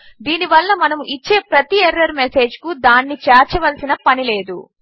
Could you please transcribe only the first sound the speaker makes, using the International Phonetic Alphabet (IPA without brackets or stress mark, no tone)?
d̪